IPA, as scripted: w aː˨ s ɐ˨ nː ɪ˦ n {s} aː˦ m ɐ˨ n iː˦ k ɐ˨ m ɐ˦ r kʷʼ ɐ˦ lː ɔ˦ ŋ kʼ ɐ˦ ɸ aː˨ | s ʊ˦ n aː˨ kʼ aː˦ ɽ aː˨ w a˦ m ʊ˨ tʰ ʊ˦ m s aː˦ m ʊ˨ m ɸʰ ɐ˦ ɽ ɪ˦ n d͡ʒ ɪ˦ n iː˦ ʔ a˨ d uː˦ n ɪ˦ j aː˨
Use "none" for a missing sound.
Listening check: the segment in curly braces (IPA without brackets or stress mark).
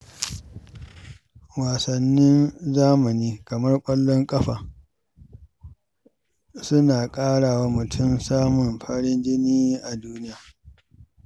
z